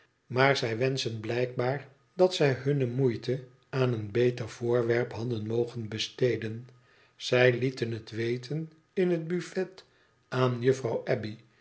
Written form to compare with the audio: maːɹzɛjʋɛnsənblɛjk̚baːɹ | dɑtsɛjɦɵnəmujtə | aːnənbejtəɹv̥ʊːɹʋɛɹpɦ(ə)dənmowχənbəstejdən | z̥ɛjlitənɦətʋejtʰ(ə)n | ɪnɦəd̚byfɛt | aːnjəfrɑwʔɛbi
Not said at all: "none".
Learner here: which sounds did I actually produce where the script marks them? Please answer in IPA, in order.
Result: ɑ, ə

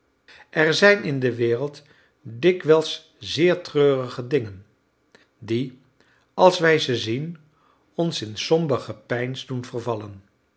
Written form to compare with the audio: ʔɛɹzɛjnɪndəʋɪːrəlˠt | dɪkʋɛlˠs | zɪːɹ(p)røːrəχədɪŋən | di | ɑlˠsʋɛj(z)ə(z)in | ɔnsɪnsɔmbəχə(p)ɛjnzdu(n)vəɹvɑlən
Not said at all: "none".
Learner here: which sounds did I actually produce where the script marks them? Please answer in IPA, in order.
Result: t, z, z, p, n

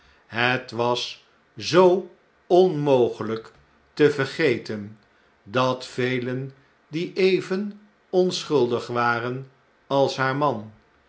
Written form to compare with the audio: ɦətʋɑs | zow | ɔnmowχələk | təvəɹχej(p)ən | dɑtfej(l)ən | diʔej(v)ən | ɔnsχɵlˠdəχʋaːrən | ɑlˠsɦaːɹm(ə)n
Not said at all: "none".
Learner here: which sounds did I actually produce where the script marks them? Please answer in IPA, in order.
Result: t, l, v, ɑ

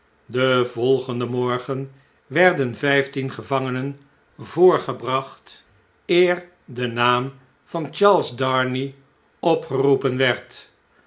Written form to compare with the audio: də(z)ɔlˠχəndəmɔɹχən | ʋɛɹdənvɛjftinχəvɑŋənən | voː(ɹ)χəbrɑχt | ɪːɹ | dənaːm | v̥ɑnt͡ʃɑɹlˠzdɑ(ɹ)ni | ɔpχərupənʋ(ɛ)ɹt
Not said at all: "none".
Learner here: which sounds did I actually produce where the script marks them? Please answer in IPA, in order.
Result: v, ɹ, ɹ, ɛ

